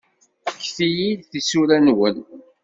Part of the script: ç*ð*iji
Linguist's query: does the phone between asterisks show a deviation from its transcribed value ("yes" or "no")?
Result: yes